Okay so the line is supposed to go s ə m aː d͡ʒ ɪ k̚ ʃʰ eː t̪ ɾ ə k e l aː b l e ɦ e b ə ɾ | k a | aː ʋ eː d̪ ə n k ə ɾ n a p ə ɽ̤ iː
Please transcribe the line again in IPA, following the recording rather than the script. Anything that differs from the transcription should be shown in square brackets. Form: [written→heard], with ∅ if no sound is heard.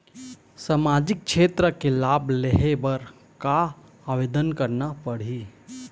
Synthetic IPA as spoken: s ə m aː d͡ʒ ɪ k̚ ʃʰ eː t̪ ɾ ə k e l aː b l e ɦ e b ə ɾ | k a | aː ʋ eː d̪ ə n k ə ɾ n a p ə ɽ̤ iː